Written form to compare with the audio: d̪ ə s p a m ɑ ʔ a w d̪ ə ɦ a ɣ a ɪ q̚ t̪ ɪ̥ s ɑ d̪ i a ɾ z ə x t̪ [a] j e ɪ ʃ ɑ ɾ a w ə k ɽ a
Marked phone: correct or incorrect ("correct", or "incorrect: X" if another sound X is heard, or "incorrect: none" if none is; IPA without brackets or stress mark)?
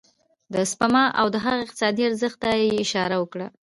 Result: correct